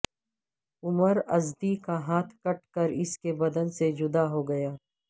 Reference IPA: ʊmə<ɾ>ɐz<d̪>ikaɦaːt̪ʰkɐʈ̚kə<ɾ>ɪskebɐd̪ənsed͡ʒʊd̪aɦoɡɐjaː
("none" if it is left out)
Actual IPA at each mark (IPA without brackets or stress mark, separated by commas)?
ɾ, d̪, ɾ